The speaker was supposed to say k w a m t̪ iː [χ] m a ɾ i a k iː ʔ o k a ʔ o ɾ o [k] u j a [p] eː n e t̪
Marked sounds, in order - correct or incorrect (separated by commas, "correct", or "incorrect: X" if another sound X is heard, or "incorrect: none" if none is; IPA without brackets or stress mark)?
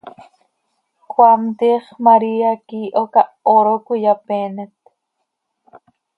correct, correct, correct